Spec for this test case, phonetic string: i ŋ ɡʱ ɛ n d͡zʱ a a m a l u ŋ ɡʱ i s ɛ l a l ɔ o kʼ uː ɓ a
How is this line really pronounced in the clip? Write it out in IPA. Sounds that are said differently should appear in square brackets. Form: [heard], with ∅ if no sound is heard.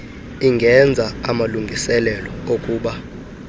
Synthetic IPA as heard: i ŋ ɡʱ ɛ n d͡zʱ a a m a l u ŋ ɡʱ i s ɛ l [ɛ] l ɔ o kʼ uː ɓ a